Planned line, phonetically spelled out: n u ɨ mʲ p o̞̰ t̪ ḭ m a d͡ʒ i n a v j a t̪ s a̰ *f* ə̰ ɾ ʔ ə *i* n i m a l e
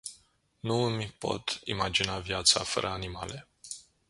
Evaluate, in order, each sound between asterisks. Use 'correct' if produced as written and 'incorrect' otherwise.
correct, incorrect: a

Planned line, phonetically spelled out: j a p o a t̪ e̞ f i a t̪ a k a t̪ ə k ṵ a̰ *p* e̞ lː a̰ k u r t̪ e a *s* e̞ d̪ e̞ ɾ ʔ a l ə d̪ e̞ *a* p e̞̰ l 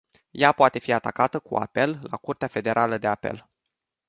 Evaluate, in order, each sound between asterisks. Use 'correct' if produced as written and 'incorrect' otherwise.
correct, incorrect: f, correct

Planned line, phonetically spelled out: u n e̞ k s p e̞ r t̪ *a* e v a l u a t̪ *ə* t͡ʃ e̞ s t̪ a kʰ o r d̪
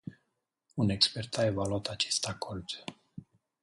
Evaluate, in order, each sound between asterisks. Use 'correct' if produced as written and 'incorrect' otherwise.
correct, incorrect: a

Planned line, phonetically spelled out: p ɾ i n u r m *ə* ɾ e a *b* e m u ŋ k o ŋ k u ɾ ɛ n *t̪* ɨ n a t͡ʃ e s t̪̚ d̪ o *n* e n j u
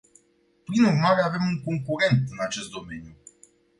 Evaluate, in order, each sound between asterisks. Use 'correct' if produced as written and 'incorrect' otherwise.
incorrect: a, incorrect: v, correct, incorrect: m

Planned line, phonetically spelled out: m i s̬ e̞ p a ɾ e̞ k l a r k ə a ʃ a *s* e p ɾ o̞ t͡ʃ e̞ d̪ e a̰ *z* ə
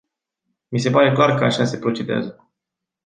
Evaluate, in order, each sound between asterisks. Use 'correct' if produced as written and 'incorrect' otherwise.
correct, correct

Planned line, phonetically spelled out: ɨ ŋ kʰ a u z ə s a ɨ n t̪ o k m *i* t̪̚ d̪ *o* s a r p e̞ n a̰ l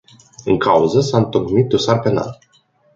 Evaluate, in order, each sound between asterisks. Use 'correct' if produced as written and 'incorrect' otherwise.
correct, correct

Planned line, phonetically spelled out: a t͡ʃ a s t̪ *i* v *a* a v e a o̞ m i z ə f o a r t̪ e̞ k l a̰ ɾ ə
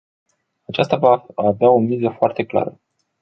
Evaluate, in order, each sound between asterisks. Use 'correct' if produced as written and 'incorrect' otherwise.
incorrect: a, correct

